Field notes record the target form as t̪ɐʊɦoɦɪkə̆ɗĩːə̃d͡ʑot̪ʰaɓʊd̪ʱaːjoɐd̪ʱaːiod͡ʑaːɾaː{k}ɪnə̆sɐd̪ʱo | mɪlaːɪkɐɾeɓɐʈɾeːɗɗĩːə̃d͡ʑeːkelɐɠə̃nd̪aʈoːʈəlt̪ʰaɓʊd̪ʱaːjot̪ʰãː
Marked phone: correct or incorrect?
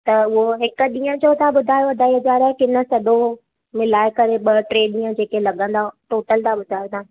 correct